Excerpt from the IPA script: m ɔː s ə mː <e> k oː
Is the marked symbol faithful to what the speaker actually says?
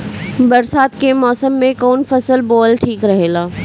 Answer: no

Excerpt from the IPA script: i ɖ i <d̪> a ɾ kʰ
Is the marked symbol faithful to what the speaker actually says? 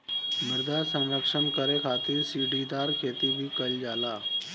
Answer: yes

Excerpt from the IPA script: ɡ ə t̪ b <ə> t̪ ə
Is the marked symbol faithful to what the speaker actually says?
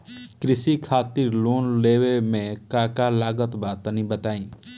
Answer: no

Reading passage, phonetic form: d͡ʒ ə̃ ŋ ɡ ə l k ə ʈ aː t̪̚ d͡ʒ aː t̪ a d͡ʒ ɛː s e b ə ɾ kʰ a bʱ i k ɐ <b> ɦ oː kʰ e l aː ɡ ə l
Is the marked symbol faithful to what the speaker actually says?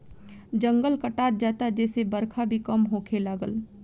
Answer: no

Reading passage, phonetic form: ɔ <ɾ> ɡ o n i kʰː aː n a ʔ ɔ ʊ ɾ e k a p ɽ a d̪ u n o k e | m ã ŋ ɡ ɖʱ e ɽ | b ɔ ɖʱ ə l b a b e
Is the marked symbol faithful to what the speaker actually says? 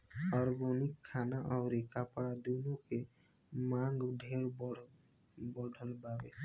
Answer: yes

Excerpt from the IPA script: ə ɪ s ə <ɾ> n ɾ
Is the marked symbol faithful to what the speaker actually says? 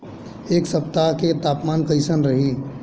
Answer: no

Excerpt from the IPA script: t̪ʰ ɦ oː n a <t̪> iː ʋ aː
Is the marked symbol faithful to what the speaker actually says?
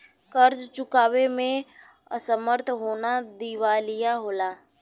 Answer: no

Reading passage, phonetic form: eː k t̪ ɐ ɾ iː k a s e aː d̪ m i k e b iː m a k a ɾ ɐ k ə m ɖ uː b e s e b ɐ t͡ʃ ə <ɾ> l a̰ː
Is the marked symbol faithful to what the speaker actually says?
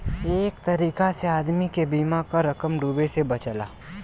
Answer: no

